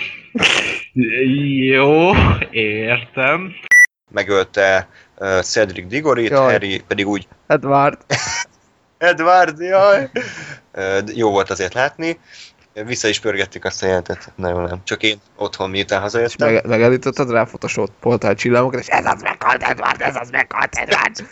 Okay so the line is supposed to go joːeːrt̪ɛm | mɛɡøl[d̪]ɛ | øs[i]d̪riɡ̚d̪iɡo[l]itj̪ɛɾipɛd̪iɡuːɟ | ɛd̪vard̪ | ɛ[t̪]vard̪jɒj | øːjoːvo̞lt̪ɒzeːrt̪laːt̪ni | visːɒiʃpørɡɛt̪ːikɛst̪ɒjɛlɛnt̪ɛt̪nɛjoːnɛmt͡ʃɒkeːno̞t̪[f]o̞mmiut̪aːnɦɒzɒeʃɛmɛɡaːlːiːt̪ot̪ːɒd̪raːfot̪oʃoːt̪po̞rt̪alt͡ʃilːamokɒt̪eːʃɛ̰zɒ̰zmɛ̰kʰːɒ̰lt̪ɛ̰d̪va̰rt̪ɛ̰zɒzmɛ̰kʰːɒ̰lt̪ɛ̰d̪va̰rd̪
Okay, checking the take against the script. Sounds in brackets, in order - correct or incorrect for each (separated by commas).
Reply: incorrect, incorrect, incorrect, incorrect, incorrect